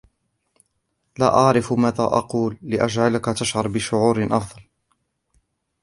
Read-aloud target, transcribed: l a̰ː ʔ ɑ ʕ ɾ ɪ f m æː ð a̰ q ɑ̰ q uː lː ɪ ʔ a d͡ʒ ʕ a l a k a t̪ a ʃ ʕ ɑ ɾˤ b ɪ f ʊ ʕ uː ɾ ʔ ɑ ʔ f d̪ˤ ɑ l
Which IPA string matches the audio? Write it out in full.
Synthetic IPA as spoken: l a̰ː ʔ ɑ ʕ ɾ ɪ f m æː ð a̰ ʔ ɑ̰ q uː lː ɪ ʔ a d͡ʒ ʕ a l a k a t̪ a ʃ ʕ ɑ ɾˤ b ɪ ʃ ʊ ʕ uː ɾ ʔ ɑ f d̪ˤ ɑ l